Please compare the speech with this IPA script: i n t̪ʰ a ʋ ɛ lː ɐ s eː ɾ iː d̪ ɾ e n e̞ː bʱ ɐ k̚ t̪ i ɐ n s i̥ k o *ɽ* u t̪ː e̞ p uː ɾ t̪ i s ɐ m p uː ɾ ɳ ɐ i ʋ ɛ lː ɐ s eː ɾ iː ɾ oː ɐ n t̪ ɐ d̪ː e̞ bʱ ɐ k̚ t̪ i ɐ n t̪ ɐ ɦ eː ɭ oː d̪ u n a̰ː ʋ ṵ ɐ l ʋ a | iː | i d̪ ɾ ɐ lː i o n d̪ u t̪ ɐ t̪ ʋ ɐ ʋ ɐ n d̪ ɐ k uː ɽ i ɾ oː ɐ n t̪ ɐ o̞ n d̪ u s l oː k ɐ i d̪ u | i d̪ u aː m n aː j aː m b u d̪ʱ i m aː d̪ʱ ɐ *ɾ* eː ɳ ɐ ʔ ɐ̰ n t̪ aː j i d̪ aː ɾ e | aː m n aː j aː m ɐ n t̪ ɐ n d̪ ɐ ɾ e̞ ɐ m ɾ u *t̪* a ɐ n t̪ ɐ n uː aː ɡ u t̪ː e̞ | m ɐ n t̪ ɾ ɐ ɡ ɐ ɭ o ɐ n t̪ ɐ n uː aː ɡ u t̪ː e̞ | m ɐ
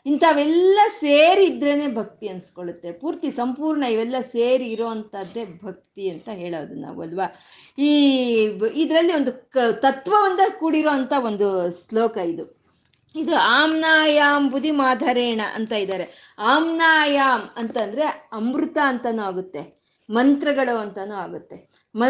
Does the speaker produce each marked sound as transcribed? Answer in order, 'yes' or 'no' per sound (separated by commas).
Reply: no, yes, yes